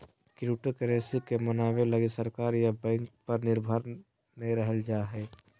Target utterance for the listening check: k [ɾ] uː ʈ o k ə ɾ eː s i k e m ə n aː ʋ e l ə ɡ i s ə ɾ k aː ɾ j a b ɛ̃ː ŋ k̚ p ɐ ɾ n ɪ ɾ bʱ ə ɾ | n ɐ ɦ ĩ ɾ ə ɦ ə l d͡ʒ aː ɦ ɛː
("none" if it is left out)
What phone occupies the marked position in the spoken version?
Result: ɾ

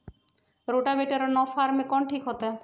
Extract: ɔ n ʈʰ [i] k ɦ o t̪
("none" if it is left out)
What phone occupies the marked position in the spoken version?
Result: i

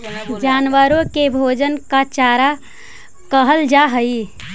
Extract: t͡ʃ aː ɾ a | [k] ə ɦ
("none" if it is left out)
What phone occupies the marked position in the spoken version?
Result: k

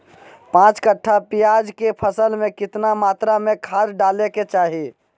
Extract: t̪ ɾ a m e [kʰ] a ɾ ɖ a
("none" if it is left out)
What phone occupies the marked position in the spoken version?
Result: kʰ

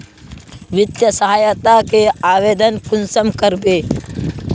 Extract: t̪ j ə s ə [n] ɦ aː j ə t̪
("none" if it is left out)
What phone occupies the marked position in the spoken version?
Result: none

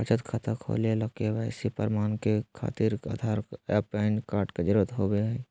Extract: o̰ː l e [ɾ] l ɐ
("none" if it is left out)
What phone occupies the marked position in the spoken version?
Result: none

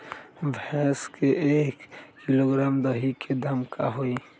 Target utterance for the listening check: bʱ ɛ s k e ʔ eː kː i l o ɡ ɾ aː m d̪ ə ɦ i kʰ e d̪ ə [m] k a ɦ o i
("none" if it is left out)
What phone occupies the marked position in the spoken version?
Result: m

